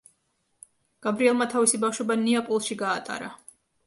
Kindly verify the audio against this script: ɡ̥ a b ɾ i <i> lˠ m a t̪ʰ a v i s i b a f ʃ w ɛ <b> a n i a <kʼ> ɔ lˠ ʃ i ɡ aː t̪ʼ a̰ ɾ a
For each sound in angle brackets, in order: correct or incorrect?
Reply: incorrect, correct, incorrect

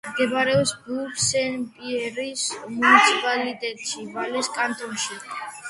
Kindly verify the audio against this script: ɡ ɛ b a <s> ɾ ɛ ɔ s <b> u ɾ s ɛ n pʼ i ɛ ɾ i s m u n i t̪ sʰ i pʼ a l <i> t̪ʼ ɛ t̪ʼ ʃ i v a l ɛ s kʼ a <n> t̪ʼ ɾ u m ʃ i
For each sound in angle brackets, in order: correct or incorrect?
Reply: incorrect, correct, correct, correct

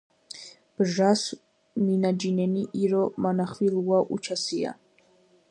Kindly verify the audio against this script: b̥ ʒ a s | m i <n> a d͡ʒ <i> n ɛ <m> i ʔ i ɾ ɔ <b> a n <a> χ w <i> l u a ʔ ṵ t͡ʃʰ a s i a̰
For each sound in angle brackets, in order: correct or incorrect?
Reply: correct, correct, incorrect, incorrect, correct, correct

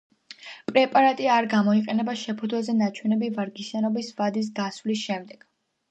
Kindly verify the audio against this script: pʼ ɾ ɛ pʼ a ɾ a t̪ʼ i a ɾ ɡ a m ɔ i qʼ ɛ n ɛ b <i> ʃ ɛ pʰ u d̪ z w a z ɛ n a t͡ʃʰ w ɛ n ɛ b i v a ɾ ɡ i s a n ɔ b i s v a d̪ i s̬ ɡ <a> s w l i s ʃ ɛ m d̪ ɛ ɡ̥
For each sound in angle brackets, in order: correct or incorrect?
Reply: incorrect, correct

